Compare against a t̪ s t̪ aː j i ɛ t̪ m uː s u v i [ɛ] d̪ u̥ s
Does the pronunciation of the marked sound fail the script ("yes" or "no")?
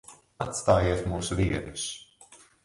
no